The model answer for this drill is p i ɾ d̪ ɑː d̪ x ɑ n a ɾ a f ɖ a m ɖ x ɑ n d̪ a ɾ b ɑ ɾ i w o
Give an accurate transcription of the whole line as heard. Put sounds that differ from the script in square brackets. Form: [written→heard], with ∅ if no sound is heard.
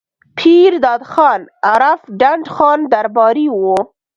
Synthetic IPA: [p→pʰ] i ɾ d̪ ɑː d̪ x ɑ n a ɾ a f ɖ a [m→ɳ] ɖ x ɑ n d̪ a ɾ b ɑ ɾ i w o